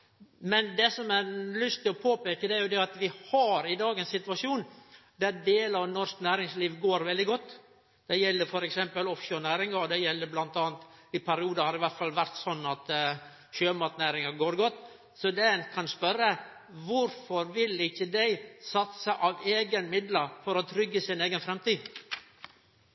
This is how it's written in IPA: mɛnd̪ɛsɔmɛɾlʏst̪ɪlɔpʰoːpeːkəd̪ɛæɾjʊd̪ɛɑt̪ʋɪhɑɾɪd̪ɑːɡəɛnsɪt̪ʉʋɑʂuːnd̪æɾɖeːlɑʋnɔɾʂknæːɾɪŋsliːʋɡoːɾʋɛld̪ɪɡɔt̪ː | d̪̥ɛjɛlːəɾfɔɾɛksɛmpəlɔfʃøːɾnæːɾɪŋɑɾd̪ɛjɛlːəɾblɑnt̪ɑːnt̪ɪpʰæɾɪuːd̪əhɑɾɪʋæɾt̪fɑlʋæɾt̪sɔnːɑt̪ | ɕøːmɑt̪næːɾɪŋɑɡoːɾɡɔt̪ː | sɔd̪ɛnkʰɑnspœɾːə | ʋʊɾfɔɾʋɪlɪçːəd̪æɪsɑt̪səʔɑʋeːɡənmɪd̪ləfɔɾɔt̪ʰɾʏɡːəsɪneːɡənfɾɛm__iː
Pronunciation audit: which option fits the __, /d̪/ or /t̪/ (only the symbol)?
t̪